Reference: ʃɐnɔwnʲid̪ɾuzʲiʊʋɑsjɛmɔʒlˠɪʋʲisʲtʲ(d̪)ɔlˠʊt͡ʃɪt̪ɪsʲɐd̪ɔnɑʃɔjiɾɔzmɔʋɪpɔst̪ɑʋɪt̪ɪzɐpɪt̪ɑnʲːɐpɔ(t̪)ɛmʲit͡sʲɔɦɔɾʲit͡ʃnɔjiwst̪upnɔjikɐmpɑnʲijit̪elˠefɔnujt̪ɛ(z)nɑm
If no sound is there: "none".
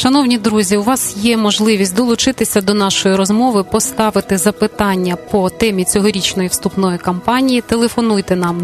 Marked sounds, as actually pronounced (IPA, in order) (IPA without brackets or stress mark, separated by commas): d̪, t̪, none